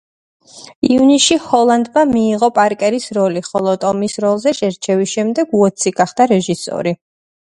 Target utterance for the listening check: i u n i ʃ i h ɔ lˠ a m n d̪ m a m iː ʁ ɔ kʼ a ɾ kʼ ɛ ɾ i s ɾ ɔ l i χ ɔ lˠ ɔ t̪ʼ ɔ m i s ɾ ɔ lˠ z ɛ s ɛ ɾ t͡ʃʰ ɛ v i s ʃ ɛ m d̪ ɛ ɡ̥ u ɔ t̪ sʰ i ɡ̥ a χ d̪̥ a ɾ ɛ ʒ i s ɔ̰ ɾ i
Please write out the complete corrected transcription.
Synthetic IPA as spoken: i u n i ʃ i h ɔ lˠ a n d̪ m a m iː ʁ ɔ pʼ a ɾ kʼ ɛ ɾ i s ɾ ɔ l i χ ɔ lˠ ɔ t̪ʼ ɔ m i s ɾ ɔ lˠ z ɛ ʃ ɛ ɾ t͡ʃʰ ɛ v i s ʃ ɛ m d̪ ɛ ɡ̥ u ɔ t̪ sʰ i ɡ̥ a χ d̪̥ a ɾ ɛ ʒ i s ɔ̰ ɾ i